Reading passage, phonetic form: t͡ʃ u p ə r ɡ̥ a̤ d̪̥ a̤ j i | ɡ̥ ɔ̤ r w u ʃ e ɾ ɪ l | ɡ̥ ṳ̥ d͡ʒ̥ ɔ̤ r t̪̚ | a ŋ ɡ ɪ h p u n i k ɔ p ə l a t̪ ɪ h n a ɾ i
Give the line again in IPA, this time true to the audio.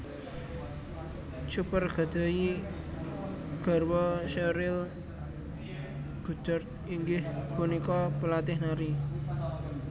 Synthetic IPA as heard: t͡ʃ u p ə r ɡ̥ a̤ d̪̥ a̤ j i | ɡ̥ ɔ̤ r w ɔ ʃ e ɾ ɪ l | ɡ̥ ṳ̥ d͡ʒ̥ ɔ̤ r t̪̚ | i ŋ ɡ ɪ h p u n i k ɔ p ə l a t̪ ɪ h n a ɾ i